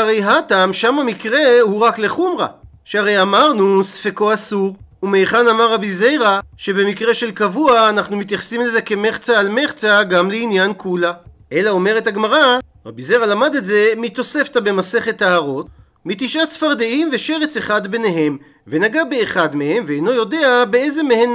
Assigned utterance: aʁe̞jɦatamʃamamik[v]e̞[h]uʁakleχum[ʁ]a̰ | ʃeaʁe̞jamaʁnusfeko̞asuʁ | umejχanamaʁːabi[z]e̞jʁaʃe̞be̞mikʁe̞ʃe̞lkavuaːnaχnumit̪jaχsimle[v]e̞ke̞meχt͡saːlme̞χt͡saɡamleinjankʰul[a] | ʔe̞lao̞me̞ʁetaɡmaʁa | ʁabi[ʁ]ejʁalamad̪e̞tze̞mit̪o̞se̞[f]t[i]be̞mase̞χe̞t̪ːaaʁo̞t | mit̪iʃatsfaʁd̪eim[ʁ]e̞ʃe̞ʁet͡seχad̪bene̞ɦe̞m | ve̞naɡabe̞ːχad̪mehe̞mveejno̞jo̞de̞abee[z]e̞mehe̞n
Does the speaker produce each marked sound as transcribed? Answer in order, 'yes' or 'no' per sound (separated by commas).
no, yes, yes, yes, no, yes, no, yes, no, no, yes